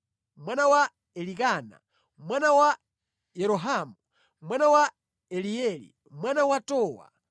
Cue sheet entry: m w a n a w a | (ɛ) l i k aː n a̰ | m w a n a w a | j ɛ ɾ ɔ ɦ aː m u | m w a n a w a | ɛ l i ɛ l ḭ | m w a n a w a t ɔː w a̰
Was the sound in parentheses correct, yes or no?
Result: yes